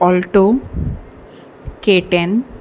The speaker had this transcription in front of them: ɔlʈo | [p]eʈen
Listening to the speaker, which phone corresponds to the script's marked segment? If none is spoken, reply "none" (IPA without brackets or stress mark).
k